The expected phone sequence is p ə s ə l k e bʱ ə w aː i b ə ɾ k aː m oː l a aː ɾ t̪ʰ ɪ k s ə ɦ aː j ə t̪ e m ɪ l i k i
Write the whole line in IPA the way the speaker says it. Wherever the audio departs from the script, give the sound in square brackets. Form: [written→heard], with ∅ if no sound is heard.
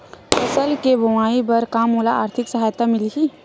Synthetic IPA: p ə s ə l k e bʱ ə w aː i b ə ɾ k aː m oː l a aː ɾ t̪ʰ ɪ k s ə ɦ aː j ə t̪ [e→a] m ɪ l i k i